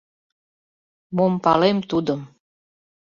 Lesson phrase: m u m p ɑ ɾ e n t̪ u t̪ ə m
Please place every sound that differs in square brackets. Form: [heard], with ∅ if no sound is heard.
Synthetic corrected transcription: m [o] m p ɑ [l] e [m] t̪ u [d̪] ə m